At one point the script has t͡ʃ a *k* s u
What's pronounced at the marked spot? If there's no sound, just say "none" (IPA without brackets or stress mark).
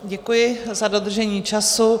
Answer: none